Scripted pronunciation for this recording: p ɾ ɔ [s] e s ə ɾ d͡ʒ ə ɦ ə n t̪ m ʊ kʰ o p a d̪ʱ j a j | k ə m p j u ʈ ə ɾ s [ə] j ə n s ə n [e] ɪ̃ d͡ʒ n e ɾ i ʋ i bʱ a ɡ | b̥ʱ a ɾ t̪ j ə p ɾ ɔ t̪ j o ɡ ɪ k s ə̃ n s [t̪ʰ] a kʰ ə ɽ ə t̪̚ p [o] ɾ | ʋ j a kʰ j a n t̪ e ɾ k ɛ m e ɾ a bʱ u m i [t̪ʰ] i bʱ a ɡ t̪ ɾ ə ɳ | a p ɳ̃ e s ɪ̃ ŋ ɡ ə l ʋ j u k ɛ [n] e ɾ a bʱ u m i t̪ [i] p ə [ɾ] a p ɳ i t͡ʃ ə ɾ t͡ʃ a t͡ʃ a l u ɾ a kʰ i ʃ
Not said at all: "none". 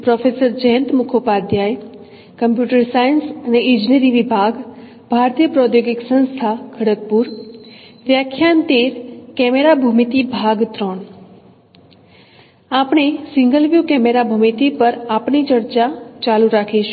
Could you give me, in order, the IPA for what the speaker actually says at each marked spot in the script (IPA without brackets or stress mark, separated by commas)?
f, a, e, t̪ʰ, u, t̪, m, i, ɾ